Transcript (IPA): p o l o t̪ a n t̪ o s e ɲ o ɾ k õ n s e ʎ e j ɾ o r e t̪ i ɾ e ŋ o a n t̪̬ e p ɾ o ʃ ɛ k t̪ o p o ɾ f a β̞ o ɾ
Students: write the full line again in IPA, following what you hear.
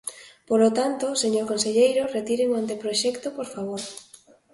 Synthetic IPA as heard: p o l o t̪ a n t̪ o s e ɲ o ɾ k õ n s e ʎ e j ɾ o r e t̪ i ɾ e ŋ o a n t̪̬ e p ɾ o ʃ ɛ k t̪ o p o ɾ f a β̞ o ɾ